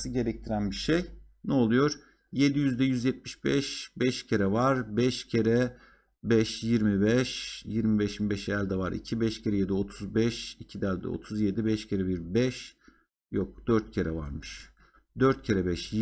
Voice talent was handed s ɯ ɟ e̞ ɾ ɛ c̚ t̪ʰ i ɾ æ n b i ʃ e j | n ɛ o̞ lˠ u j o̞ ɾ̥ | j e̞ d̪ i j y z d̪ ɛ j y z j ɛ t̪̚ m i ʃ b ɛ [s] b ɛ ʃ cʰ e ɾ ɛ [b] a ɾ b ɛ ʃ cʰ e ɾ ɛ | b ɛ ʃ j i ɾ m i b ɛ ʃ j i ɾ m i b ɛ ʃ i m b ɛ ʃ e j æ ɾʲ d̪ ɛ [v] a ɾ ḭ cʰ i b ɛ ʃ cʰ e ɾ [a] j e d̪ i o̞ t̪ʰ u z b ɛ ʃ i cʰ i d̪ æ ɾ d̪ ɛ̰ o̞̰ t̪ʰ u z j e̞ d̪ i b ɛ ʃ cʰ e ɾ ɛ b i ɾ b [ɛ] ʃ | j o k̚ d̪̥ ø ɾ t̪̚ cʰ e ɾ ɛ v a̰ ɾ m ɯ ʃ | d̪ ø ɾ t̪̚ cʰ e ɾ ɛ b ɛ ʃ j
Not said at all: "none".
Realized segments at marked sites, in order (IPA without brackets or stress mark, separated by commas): ʃ, v, v, ɛ, ɛ